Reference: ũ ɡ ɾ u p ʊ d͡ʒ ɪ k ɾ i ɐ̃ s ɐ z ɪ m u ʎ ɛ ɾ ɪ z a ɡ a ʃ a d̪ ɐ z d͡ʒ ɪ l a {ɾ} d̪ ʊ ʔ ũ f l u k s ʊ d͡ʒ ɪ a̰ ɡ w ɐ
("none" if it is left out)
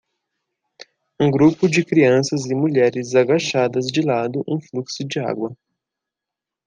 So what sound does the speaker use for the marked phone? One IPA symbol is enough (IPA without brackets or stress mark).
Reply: none